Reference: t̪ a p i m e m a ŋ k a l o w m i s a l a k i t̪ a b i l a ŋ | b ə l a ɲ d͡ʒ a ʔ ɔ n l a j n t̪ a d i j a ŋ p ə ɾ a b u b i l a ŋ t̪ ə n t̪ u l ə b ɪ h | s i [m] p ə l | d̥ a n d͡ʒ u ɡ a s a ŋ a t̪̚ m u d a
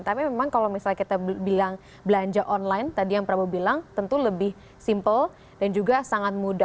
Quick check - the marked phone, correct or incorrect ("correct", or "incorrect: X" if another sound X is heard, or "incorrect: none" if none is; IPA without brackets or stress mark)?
correct